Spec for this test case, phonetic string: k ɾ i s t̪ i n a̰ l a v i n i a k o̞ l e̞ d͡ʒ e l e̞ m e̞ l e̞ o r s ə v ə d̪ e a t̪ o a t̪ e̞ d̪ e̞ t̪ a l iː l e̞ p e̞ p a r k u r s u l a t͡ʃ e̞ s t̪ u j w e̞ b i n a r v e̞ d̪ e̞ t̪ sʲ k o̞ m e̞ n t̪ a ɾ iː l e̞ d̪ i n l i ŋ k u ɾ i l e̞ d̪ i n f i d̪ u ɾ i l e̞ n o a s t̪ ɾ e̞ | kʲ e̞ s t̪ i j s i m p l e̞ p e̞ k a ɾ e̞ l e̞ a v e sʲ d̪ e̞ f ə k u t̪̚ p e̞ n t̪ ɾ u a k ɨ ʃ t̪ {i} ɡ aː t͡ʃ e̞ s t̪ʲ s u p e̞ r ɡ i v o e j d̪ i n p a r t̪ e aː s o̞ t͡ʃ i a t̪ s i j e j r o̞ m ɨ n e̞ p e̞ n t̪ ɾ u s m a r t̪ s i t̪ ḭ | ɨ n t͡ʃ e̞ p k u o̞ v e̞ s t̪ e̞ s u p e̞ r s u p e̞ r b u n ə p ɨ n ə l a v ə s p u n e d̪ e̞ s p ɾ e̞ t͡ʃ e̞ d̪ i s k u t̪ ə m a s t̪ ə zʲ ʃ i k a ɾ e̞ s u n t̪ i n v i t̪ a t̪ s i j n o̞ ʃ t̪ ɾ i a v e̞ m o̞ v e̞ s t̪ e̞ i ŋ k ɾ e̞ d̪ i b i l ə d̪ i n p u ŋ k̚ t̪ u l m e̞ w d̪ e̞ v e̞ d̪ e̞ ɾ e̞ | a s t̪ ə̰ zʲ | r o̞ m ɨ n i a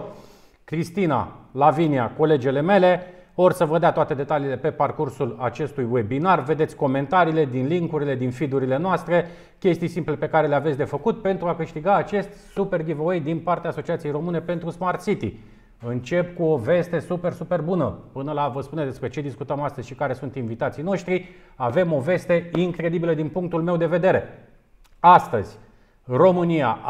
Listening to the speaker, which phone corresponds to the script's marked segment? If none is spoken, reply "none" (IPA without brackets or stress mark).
i